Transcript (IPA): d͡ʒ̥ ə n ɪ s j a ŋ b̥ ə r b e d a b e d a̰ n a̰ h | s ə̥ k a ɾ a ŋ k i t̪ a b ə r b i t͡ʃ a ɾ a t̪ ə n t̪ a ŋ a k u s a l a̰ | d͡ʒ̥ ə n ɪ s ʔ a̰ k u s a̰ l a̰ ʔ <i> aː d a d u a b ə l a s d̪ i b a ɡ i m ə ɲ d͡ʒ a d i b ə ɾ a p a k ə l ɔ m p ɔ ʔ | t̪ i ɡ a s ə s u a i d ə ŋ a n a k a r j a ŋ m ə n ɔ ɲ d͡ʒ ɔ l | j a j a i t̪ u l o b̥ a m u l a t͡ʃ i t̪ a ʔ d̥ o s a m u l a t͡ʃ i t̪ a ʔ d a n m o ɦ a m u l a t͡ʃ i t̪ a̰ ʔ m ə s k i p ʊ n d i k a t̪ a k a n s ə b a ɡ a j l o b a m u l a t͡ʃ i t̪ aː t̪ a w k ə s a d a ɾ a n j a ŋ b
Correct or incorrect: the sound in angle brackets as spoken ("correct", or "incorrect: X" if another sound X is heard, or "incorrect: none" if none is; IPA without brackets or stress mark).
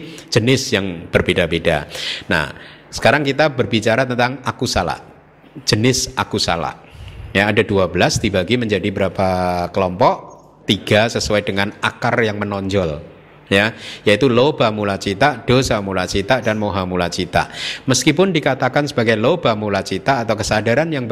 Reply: incorrect: j